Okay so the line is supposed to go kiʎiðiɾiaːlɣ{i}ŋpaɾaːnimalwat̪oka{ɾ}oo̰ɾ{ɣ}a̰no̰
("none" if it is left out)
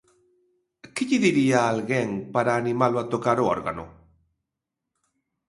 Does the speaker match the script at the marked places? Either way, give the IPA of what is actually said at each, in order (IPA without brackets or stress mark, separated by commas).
e, ɾ, ɣ